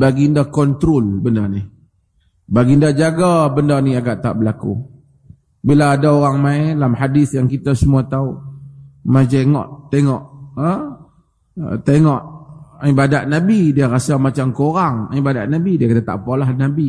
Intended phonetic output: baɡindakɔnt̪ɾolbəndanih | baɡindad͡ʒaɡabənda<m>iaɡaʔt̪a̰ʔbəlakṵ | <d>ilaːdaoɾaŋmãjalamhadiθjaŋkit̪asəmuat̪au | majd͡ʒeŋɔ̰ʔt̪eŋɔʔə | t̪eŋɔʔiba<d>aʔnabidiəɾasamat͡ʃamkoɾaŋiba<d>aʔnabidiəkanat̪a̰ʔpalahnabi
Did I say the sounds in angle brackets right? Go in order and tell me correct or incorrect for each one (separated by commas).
incorrect, incorrect, correct, correct